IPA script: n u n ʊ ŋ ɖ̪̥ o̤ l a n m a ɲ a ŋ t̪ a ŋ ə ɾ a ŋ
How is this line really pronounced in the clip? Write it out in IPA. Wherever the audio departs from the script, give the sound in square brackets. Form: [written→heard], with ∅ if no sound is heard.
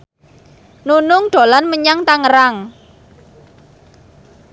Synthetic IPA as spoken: n u n ʊ ŋ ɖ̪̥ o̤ l a n m [a→ə] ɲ a ŋ t̪ a ŋ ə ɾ a ŋ

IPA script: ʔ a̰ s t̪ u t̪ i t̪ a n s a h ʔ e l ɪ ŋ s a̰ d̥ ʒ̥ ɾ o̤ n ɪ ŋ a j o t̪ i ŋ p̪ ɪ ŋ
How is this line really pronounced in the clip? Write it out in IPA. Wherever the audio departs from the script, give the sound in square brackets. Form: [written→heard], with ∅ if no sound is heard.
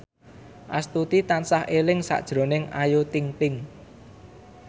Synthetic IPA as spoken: ʔ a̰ s t̪ u t̪ i t̪ a n s a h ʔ e l ɪ ŋ s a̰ d̥ ʒ̥ ɾ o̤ n ɪ ŋ a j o t̪ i ŋ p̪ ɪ ŋ

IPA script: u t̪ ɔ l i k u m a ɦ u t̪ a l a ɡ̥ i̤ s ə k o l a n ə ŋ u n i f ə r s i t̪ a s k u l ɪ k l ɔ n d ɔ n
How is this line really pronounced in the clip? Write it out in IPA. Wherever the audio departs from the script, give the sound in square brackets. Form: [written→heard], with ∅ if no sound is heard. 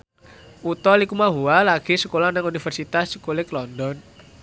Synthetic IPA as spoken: u t̪ ɔ l i k u m a ɦ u [t̪→∅] a l a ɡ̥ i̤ s ə k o l a n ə ŋ u n i f ə r s i t̪ a s k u l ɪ k l ɔ n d ɔ n

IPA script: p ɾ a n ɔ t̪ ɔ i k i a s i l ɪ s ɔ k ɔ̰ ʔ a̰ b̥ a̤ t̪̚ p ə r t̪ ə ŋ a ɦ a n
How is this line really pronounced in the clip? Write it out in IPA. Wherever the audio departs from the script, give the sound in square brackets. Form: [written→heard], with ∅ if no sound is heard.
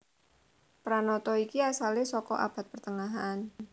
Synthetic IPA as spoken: p ɾ a n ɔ t̪ ɔ i k i a s [i→a] l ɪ s ɔ k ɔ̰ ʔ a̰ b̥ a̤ t̪̚ p ə r t̪ ə ŋ a ɦ a n

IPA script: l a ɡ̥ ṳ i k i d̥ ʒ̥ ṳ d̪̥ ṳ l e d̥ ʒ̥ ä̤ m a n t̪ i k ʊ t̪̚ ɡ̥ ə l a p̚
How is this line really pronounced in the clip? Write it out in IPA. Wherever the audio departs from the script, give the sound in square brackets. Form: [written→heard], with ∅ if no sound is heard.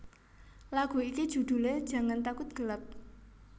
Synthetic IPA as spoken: l a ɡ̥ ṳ i k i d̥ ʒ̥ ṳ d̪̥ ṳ l e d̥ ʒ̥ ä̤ [m→ŋ] a n t̪ [i→a] k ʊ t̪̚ ɡ̥ ə l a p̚

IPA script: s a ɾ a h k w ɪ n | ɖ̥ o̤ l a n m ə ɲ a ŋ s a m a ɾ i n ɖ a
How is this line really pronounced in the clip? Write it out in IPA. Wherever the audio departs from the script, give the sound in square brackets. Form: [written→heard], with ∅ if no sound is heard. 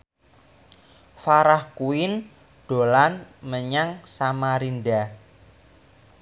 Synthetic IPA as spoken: [s→f] a ɾ a h k [w→u] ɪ n | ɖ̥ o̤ l a n m ə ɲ a ŋ s a m a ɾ i n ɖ a

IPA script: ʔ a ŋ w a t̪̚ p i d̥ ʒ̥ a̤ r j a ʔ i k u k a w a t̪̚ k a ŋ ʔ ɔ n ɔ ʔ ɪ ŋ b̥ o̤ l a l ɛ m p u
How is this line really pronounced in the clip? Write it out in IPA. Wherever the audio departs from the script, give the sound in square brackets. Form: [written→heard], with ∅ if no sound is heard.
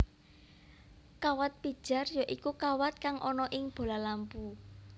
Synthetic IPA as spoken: [ʔ→k] a [ŋ→∅] w a t̪̚ p i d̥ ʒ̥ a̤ r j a ʔ i k u k a w a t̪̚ k a ŋ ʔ ɔ n ɔ ʔ ɪ ŋ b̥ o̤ l a l [ɛ→a] m p u

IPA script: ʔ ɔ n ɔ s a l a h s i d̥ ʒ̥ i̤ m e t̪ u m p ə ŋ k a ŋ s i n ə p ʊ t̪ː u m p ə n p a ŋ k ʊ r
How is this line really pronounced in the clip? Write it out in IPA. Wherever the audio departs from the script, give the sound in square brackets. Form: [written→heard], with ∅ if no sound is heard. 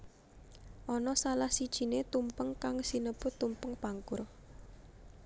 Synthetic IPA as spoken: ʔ ɔ n ɔ s a l a h s i d̥ ʒ̥ i̤ [m→n] e t̪ u m p ə ŋ k a ŋ s i n ə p ʊ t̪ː u m p ə [n→ŋ] p a ŋ k ʊ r

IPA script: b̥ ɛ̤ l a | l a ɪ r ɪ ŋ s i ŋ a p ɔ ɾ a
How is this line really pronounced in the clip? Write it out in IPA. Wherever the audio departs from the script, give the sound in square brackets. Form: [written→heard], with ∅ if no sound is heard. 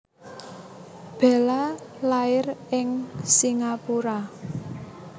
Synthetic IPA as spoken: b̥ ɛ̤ l a | l a ɪ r ɪ ŋ s i ŋ a p [ɔ→u] ɾ a

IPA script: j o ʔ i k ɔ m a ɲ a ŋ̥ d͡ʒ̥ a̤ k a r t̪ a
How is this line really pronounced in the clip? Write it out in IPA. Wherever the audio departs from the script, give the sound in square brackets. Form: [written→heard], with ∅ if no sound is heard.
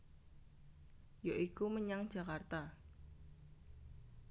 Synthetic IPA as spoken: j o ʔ i k [ɔ→u] m [a→ə] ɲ a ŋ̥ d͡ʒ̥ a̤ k a r t̪ a

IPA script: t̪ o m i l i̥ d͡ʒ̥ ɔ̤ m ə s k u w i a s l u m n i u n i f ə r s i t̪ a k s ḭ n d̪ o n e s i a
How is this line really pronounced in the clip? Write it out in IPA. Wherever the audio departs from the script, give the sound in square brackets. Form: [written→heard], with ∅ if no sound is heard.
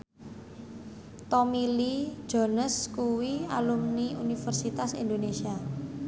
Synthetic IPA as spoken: t̪ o m i l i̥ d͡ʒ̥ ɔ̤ [m→n] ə s k u w i a [s→∅] l u m n i u n i f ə r s i t̪ a [k→∅] s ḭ n d̪ o n e s i a

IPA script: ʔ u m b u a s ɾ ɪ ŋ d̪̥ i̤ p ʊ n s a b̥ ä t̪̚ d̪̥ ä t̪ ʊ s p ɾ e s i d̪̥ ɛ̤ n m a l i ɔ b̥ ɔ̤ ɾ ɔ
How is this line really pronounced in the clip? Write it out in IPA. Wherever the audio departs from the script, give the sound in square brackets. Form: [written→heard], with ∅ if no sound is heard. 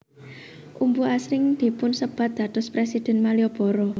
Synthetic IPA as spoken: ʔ u m b u a s ɾ ɪ ŋ d̪̥ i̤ p ʊ n s [a→ə] b̥ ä t̪̚ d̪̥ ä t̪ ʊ s p ɾ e s i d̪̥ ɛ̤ n m a l i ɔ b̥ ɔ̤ ɾ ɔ

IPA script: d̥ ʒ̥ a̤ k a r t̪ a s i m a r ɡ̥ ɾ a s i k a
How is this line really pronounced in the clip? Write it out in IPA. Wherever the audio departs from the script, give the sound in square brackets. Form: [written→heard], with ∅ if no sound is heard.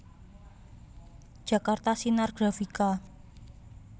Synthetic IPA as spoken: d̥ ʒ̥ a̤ k a r t̪ a s i [m→n] a r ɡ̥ ɾ a [s→f] i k a

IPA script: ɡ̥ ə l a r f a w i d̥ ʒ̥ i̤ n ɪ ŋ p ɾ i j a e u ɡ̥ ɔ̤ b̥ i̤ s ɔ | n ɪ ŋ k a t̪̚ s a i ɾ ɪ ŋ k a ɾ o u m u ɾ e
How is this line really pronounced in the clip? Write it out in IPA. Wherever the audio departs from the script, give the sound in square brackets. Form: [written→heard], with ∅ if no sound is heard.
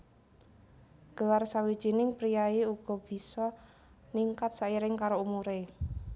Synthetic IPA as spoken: ɡ̥ ə l a r [f→s] a w i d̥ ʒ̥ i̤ n ɪ ŋ p ɾ i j a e u ɡ̥ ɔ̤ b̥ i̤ s ɔ | n [ɪ→i] ŋ k a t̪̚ s a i ɾ ɪ ŋ k a ɾ o u m u ɾ e

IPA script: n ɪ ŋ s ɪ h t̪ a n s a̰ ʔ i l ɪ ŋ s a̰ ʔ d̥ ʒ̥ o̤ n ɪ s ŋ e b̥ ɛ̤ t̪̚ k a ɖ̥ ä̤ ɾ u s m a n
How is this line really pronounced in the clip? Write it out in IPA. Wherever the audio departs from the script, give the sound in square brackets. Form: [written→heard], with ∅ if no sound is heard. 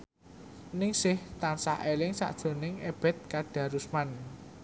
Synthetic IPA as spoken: n ɪ ŋ s ɪ h t̪ a n s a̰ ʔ [i→e] l ɪ ŋ s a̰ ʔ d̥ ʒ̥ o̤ n ɪ [s→∅] ŋ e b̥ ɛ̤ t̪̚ k a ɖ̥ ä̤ ɾ u s m a n

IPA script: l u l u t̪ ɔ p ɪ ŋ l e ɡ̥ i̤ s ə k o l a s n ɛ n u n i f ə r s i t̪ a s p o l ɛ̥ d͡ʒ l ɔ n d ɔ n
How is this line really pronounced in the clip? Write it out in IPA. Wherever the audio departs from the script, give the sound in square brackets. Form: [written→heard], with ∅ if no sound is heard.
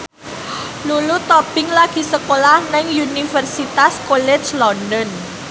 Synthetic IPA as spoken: l u l u t̪ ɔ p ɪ ŋ l [e→a] ɡ̥ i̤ s ə k o l a [s→h] n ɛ [n→ŋ] u n i f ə r s i t̪ a s [p→k] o l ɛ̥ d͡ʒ l ɔ n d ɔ n

